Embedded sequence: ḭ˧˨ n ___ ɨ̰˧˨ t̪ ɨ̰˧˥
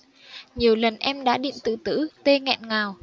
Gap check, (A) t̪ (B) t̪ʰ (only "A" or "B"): A